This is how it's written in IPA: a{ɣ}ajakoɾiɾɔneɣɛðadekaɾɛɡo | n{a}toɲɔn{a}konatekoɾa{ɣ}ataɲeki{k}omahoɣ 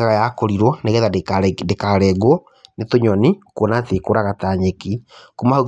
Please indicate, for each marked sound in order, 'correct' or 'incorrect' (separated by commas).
correct, incorrect, incorrect, correct, correct